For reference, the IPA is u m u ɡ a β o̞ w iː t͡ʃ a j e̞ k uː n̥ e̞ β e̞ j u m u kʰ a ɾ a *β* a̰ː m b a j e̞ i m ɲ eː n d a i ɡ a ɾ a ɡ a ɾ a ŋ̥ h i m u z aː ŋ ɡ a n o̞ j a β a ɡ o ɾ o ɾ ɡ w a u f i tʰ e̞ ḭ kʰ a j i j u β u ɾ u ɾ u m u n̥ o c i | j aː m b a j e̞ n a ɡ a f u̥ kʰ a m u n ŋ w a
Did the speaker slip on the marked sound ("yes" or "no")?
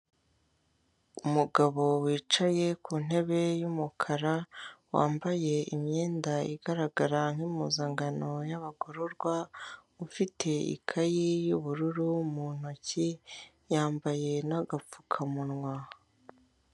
yes